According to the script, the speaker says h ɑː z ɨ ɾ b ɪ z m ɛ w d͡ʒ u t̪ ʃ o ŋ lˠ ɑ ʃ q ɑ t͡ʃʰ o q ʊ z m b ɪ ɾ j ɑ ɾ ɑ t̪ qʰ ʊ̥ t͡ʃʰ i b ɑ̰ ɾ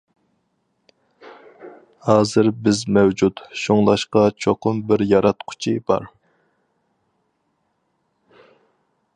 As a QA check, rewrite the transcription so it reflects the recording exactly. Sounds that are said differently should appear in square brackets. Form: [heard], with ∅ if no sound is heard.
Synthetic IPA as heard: h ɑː z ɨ ɾ b ɪ z m ɛ w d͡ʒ u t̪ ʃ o ŋ lˠ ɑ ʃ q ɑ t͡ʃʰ o q ʊ [∅] m b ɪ ɾ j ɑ ɾ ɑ t̪ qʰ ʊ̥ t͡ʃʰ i b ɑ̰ ɾ